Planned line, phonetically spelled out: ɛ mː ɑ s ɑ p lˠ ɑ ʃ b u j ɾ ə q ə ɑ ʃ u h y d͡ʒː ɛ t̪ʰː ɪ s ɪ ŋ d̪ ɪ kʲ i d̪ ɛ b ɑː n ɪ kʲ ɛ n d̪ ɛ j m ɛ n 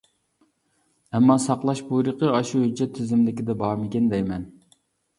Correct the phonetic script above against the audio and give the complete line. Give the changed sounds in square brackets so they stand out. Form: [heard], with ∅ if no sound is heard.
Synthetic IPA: ɛ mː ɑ s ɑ [q] lˠ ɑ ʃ b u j ɾ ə q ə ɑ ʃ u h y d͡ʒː ɛ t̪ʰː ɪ [z] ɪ [m] d̪ ɪ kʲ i d̪ ɛ b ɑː [m] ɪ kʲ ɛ n d̪ ɛ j m ɛ n